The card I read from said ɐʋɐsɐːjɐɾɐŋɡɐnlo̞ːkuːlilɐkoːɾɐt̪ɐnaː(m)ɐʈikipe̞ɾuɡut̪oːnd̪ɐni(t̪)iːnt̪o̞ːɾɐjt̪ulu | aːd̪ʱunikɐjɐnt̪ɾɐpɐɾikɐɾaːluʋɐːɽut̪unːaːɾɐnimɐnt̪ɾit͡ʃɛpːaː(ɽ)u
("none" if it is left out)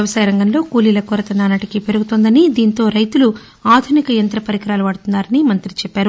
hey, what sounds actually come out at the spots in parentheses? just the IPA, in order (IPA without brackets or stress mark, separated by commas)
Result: n, d̪, ɾ